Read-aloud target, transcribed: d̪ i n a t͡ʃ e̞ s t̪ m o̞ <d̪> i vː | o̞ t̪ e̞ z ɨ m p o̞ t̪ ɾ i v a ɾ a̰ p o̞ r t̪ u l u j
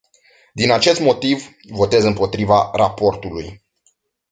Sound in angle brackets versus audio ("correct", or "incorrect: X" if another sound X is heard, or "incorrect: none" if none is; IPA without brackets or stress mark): incorrect: t̪